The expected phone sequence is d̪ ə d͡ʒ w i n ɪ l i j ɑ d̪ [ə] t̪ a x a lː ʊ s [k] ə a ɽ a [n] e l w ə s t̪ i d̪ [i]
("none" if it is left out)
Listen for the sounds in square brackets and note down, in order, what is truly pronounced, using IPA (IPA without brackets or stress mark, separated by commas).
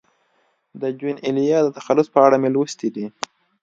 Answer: ə, p, m, i